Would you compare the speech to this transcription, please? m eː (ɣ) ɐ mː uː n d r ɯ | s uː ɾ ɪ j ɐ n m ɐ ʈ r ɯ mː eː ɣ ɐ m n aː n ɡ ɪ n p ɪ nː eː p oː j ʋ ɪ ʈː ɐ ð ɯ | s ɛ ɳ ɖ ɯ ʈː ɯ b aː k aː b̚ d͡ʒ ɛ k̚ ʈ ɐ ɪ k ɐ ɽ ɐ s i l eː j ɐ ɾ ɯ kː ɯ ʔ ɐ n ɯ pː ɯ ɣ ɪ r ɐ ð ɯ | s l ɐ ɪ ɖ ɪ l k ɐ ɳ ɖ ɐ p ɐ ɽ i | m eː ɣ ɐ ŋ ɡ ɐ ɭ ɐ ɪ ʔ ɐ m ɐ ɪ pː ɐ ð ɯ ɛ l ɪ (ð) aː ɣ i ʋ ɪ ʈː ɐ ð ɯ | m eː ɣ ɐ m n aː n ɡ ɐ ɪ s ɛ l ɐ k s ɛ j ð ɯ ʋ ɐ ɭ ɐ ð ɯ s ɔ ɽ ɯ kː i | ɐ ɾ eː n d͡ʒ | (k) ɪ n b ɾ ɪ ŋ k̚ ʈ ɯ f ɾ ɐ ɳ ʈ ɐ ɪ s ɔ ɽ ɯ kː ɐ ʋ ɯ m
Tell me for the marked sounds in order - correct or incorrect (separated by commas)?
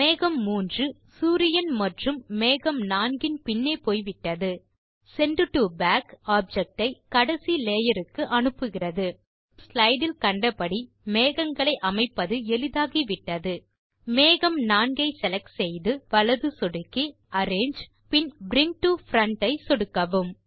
correct, correct, incorrect